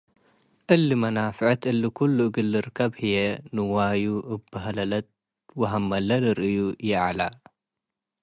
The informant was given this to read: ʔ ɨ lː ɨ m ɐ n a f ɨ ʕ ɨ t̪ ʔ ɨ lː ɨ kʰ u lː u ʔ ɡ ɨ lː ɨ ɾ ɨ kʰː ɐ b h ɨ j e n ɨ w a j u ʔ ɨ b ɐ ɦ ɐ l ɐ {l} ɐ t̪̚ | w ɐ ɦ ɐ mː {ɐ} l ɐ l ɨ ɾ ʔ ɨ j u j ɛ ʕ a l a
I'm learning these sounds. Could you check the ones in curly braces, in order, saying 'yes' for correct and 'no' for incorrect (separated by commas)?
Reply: yes, yes